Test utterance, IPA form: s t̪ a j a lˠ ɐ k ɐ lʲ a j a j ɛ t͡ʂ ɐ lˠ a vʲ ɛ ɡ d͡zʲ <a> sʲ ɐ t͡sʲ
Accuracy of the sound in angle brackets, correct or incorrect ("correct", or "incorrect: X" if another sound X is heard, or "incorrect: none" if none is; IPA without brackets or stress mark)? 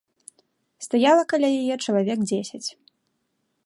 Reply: incorrect: e